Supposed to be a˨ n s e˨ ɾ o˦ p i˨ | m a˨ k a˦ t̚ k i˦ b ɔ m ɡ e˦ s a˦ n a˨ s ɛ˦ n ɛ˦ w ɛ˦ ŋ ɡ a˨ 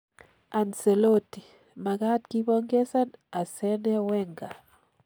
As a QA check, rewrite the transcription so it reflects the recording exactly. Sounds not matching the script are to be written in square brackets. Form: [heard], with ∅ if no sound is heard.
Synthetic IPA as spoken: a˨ n s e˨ [l] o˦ [t] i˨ | m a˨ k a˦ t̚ k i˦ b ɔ [ŋ] ɡ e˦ s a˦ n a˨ s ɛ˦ n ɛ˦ w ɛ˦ ŋ ɡ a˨

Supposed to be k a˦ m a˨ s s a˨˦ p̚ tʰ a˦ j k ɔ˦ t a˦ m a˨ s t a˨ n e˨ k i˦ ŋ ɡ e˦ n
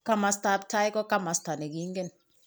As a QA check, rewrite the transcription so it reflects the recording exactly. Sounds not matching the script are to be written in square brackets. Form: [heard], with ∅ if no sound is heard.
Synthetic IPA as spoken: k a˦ m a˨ s [t] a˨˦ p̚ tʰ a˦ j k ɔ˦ [k] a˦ m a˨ s t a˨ n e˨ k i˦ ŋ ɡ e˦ n

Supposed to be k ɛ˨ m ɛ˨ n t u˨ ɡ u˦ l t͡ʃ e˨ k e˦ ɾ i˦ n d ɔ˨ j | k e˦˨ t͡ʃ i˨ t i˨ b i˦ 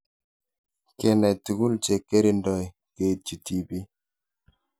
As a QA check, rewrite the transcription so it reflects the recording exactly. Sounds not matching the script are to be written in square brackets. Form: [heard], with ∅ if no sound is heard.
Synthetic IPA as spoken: k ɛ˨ [n] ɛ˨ [∅] t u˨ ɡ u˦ l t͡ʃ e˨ k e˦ ɾ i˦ n d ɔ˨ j | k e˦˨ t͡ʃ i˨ t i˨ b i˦

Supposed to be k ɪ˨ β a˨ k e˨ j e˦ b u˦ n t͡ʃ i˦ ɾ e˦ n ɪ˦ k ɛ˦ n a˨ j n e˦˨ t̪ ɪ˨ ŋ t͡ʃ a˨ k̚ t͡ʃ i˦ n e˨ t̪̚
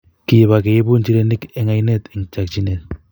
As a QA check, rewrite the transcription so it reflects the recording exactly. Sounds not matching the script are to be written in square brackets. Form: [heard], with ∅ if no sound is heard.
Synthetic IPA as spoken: k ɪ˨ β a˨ k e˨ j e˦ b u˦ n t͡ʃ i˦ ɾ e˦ n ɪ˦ k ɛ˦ [ŋ] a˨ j n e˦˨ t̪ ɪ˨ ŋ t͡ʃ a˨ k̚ t͡ʃ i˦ n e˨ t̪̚

